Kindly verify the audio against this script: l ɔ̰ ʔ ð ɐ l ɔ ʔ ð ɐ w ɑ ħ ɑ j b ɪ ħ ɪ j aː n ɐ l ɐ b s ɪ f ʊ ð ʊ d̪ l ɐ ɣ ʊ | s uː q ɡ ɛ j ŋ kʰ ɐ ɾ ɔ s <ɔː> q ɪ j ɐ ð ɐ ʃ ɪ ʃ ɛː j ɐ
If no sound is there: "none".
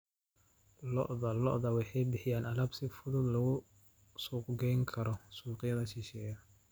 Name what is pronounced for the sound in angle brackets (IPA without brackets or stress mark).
uː